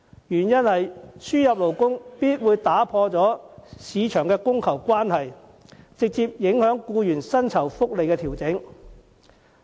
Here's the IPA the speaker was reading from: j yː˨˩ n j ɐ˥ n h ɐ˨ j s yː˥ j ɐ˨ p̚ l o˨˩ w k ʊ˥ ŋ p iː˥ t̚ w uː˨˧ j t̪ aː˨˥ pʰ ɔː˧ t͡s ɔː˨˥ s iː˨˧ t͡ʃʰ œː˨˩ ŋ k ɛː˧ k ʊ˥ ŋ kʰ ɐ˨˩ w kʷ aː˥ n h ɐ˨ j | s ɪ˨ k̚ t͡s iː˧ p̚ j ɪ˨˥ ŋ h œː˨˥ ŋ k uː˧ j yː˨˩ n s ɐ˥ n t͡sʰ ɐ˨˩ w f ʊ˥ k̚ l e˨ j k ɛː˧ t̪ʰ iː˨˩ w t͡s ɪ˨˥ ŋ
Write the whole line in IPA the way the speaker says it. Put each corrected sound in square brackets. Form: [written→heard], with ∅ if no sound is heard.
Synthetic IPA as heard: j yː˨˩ n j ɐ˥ n h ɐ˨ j s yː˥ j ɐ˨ p̚ l o˨˩ w k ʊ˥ ŋ p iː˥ t̚ w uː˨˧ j t̪ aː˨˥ pʰ ɔː˧ t͡s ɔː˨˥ s iː˨˧ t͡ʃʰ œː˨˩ ŋ k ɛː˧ k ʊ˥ ŋ kʰ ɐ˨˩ w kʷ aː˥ n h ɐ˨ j | [s→t͡s] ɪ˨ k̚ t͡s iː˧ p̚ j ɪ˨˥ ŋ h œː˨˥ ŋ k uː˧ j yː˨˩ n s ɐ˥ n t͡sʰ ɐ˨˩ w f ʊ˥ k̚ l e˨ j k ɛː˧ t̪ʰ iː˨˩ w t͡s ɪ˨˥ ŋ